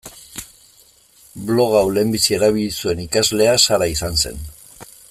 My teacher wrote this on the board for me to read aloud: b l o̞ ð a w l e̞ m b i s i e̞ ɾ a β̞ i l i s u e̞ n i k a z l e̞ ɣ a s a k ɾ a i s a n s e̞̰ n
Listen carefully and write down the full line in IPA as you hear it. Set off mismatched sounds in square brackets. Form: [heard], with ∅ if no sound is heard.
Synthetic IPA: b l o̞ [ɣ] a w l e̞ m b i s i e̞ ɾ a β̞ i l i s u e̞ n i k a z l e̞ [∅] a s a [∅] ɾ a i s a n s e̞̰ n